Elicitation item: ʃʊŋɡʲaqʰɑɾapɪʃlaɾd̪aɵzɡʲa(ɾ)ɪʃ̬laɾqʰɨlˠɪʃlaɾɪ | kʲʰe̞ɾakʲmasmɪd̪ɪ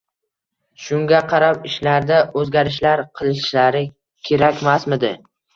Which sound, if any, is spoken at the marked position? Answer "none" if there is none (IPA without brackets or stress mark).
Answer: ɾ